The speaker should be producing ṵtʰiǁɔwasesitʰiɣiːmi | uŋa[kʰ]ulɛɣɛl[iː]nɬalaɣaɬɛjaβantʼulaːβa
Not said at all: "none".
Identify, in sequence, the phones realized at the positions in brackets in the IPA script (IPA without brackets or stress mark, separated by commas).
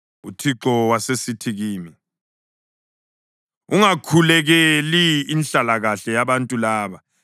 kʰ, iː